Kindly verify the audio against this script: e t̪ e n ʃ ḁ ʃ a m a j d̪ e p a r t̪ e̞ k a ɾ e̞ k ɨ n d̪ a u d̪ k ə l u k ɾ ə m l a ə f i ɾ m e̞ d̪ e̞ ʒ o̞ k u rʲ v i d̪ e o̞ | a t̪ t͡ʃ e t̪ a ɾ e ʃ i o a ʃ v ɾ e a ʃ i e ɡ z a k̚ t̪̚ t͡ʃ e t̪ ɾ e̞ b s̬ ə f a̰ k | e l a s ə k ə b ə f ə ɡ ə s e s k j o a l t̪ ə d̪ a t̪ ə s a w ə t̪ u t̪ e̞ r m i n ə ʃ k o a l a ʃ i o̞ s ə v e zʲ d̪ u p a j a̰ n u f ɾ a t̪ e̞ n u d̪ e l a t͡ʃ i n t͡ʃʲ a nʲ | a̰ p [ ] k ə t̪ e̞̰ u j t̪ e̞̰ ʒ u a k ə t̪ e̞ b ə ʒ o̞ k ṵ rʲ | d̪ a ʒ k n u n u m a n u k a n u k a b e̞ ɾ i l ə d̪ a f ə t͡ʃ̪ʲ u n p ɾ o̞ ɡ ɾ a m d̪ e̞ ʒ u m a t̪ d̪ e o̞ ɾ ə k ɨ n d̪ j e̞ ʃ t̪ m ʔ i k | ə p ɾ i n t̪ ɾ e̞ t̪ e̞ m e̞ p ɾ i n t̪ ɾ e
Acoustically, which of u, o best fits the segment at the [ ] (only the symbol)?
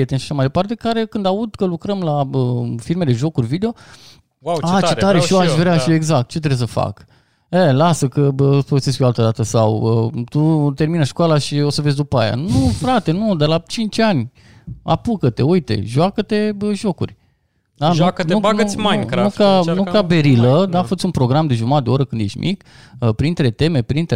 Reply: u